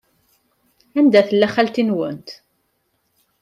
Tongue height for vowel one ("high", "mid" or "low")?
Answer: low